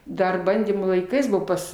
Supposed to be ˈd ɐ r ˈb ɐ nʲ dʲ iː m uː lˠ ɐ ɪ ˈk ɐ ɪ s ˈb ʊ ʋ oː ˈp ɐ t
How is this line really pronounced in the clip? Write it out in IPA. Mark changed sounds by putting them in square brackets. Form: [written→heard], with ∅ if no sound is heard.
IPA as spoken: ˈd ɐ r ˈb ɐ nʲ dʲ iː m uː lˠ ɐ ɪ ˈk ɐ ɪ s ˈb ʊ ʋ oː ˈp ɐ [t→s]